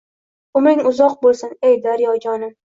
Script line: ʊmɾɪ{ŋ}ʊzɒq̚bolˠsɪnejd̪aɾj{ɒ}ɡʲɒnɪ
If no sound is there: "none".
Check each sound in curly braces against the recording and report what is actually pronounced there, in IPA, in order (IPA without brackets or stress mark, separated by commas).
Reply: ŋ, ɒ